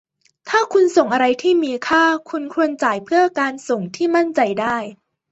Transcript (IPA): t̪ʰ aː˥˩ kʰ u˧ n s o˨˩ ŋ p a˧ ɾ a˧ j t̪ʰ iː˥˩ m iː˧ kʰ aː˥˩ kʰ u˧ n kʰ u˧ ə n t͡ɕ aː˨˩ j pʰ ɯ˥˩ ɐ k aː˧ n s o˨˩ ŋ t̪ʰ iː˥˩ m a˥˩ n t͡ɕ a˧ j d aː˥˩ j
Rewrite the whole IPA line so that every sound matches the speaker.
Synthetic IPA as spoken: t̪ʰ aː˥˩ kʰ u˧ n s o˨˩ ŋ ʔ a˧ ɾ a˧ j t̪ʰ iː˥˩ m iː˧ kʰ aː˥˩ kʰ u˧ n kʰ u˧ ə n t͡ɕ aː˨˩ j pʰ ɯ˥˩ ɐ k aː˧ n s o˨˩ ŋ t̪ʰ iː˥˩ m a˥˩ n t͡ɕ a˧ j d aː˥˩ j